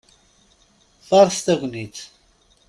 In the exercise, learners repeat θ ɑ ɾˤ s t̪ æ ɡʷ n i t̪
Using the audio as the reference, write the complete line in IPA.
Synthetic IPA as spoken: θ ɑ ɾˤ s t̪ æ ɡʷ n i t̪